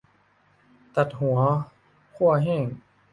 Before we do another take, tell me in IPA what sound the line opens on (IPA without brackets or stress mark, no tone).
t̪